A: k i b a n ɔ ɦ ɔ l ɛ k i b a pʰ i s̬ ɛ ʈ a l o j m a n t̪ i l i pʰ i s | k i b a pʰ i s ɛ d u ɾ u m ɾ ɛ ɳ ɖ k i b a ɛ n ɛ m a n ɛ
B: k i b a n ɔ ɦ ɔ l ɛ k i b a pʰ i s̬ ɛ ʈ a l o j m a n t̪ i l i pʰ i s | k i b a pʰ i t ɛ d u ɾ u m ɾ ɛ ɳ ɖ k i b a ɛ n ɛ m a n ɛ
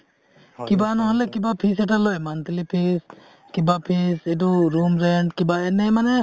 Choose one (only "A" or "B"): A